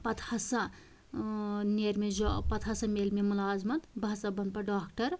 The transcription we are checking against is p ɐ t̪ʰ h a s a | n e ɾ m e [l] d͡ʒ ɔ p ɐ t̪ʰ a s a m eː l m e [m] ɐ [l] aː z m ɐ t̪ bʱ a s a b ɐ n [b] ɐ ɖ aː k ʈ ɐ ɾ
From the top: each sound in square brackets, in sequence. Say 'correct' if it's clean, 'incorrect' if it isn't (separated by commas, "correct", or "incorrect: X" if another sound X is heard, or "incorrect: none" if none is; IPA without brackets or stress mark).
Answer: incorrect: none, correct, correct, incorrect: p